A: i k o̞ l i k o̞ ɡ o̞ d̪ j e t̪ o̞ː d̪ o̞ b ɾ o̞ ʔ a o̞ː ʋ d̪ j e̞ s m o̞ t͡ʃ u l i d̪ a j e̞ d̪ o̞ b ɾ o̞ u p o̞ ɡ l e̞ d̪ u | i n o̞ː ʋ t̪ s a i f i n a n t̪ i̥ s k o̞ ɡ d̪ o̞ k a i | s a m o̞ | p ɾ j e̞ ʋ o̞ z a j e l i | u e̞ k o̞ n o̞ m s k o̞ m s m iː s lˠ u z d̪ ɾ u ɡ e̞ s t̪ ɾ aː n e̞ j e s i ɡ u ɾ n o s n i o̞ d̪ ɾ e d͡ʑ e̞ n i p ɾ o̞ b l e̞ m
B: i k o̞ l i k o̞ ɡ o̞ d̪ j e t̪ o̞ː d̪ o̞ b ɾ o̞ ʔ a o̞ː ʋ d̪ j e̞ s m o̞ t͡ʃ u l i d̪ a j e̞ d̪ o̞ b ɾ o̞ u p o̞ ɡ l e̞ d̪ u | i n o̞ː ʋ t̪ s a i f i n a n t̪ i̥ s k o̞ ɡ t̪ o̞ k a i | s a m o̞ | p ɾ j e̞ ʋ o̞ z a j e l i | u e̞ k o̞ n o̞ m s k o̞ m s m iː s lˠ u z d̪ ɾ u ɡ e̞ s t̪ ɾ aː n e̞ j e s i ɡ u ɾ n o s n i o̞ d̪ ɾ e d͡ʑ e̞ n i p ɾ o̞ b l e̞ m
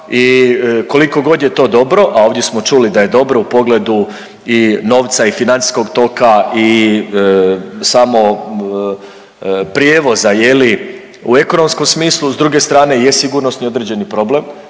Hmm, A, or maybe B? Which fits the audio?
B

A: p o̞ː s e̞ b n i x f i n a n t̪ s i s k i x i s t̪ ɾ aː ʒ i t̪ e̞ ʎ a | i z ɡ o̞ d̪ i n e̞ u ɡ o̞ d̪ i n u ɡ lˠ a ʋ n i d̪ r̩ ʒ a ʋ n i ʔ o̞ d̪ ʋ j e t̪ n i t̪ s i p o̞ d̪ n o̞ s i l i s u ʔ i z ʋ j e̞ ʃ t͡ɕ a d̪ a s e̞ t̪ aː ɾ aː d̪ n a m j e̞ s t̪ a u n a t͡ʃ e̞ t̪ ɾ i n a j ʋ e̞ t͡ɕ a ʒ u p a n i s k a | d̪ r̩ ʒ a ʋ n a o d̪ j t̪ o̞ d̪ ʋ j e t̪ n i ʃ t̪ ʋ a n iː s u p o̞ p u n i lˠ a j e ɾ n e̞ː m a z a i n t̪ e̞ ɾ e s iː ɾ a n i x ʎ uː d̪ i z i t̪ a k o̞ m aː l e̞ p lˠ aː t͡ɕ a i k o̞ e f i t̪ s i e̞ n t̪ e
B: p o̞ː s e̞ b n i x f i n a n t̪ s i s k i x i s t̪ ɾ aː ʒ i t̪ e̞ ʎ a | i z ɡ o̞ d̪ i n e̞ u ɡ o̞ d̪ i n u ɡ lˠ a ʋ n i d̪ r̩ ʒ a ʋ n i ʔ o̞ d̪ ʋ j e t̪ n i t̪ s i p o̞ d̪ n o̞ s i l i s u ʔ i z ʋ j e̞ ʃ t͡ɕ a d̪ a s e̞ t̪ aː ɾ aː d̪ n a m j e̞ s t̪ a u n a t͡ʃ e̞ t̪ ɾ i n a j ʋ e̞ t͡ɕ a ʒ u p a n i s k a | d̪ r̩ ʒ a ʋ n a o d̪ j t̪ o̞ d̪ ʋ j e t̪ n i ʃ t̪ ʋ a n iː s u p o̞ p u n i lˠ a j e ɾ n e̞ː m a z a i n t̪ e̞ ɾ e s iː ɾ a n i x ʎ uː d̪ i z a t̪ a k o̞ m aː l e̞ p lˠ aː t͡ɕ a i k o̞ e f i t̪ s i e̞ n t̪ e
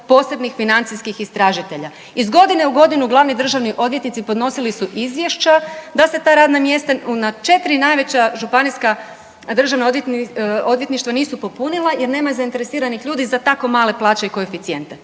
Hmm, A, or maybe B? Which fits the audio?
B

